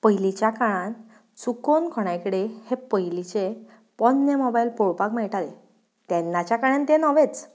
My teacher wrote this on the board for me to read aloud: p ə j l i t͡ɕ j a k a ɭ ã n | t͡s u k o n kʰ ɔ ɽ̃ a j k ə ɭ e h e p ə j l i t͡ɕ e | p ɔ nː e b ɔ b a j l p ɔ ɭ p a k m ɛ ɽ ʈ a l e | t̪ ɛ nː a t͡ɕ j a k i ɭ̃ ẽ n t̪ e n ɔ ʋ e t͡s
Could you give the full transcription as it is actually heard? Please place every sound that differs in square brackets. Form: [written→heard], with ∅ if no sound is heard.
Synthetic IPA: p ə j l i t͡ɕ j a k a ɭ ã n | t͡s u k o n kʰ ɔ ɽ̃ a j k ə [ɭ→ɽ] e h e p ə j l i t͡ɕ e | p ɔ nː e [b→m] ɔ b a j l p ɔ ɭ p a k m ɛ [ɽ→ɭ] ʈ a l e | t̪ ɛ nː a t͡ɕ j a k [i→a] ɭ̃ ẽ n t̪ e n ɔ ʋ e t͡s